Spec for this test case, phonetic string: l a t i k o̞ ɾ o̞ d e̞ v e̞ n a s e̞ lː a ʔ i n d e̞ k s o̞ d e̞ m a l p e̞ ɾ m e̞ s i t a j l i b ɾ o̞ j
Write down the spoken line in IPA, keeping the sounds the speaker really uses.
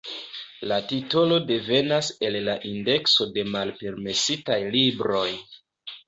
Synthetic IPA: l a t i t o̞ l o̞ d e̞ v e̞ n a s e̞ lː a ʔ i n d e̞ k s o̞ d e̞ m a l p e̞ ɾ m e̞ s i t a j l i b ɾ o̞ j

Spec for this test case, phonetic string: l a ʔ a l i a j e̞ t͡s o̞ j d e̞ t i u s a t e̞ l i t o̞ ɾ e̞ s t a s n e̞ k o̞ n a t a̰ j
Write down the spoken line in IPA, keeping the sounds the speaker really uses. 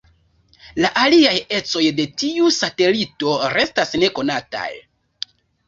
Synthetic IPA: l a ʔ a l i a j e̞ t͡s o̞ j d e̞ t i u s a t e̞ l i t o̞ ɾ e̞ s t a s n e̞ k o̞ n a t a̰ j

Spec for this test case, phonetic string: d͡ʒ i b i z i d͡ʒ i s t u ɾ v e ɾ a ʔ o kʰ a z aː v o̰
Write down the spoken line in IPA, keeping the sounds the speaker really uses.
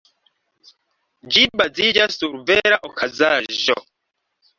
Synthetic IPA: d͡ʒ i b a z i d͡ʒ a s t u ɾ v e ɾ a ʔ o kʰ a z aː ʒ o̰

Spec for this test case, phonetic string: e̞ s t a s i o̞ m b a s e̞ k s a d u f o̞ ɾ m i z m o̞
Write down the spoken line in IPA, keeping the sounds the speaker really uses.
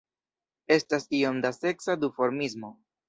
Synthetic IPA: e̞ s t a s i o̞ m d a s e̞ k s a d u f o̞ ɾ m i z m o̞

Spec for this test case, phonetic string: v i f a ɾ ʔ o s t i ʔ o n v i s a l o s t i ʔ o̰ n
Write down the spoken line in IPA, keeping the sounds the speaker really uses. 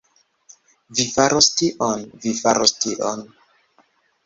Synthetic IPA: v i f a ɾ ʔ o s t i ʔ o n v i f a ɾ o s t i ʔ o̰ n

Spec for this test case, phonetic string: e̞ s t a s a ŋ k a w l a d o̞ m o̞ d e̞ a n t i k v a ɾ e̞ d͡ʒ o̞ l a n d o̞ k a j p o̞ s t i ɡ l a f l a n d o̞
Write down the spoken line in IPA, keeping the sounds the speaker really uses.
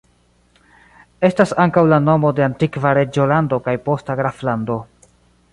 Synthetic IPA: e̞ s t a s a ŋ k a w l a n o̞ m o̞ d e̞ a n t i k v a ɾ e̞ d͡ʒ o̞ l a n d o̞ k a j p o̞ s t a ɡ ɾ a f l a n d o̞

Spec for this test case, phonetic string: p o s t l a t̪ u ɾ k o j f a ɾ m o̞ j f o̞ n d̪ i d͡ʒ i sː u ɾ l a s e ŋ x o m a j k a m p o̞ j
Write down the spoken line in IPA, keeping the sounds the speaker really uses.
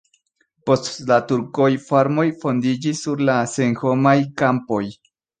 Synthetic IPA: p o s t l a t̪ u ɾ k o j f a ɾ m o̞ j f o̞ n d̪ i d͡ʒ i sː u ɾ l a s e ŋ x o m a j k a m p o̞ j

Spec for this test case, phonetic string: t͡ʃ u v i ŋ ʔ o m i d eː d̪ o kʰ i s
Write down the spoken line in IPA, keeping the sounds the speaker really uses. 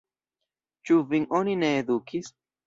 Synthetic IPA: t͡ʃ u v i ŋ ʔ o n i n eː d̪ u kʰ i s

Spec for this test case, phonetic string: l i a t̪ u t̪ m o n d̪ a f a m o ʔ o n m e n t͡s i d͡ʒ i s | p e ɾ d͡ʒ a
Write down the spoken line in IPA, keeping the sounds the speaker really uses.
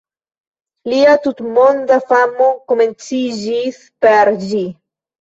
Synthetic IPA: l i a t̪ u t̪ m o n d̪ a f a m o k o m e n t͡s i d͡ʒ i s | p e ɾ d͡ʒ i

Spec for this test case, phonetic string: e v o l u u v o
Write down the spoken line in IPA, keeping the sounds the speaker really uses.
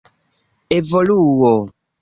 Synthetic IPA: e v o l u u w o

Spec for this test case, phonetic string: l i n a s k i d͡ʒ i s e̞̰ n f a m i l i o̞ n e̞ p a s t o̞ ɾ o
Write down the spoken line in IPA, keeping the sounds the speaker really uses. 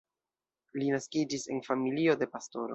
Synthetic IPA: l i n a s k i d͡ʒ i s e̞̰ n f a m i l i o̞ d e̞ p a s t o̞ ɾ o

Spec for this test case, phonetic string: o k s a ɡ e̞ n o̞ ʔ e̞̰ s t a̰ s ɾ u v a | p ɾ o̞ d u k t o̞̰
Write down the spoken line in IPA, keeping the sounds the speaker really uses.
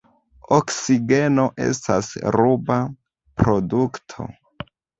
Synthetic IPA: o k s i ɡ e̞ n o̞ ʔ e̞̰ s t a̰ s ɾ u b a | p ɾ o̞ d u k tʰ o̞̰

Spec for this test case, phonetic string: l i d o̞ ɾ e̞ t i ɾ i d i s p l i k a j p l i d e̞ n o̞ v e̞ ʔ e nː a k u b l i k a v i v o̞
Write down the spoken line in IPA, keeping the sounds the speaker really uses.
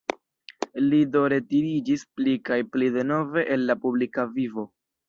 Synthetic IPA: l i d o̞ ɾ e̞ t i ɾ i d͡ʒ i s p l i k a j p l i d e̞ n o̞ v e̞ ʔ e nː a p u b l i k a v i v o̞

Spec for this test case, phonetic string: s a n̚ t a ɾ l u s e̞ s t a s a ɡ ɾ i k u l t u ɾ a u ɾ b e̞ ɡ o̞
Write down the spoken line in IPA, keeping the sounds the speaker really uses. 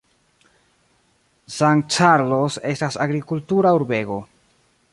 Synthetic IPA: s a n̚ t͡ʃ a ɾ l o s e̞ s t a s a ɡ ɾ i k u l t u ɾ a u ɾ b e̞ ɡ o̞

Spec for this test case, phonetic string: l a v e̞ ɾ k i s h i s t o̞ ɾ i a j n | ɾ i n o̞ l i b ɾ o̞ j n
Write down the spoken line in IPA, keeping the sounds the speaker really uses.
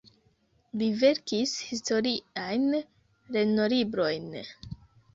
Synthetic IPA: l i v e̞ ɾ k i s h i s t o̞ ɾ i a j n | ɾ e n o̞ l i b ɾ o̞ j n

